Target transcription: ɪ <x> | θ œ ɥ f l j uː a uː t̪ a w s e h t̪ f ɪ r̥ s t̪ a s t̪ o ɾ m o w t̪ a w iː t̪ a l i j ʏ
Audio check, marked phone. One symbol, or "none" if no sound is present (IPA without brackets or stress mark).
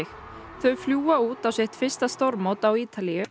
x